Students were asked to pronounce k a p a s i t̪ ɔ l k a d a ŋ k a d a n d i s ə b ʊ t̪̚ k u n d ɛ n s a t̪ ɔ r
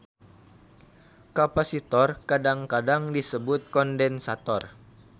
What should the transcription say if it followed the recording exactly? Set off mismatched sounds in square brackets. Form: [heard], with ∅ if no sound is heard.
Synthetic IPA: k a p a s i t̪ ɔ [r] k a d a ŋ k a d a [ŋ] d i s ə b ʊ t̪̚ k [ɔ] n d ɛ n s a t̪ ɔ r